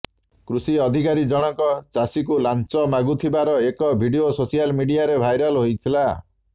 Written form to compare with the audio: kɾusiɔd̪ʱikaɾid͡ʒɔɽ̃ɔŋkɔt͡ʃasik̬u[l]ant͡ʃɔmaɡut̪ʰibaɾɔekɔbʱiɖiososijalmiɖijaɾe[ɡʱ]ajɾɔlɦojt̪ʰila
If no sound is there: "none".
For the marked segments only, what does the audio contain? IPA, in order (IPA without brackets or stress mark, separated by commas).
l, bʱ